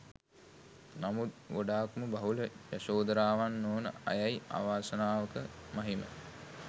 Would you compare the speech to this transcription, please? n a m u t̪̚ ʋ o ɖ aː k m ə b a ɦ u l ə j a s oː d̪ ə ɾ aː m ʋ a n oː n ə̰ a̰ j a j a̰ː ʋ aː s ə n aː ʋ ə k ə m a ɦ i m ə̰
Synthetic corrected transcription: n a m u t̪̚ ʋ o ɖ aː k m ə b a ɦ u l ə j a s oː d̪ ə ɾ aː ʋ a nː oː n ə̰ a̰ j a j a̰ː ʋ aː s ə n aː ʋ ə k ə m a ɦ i m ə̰